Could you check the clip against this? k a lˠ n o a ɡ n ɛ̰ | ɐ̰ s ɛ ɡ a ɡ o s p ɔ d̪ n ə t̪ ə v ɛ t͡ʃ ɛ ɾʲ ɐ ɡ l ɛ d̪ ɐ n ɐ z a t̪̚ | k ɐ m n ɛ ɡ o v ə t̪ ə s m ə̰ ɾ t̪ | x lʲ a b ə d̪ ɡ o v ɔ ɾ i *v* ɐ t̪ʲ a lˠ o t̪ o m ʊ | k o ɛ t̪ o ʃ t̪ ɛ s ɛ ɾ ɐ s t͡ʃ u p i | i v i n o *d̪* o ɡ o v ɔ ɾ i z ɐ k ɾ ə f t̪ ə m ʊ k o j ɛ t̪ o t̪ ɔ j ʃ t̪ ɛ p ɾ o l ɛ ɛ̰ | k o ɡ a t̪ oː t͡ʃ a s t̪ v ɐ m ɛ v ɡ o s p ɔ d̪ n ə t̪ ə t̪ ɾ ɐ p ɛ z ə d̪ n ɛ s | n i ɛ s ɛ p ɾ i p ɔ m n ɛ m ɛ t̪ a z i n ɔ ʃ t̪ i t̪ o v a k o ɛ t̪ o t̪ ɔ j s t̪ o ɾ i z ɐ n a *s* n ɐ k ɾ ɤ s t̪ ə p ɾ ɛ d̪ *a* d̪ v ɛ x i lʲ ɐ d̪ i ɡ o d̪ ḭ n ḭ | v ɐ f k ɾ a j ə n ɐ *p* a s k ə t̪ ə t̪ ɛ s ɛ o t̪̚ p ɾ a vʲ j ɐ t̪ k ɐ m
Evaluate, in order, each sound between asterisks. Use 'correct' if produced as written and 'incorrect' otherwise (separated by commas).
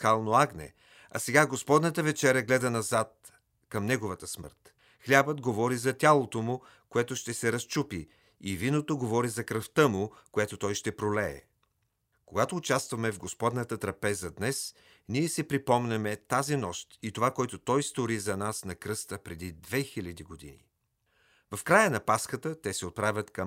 incorrect, incorrect, correct, incorrect, correct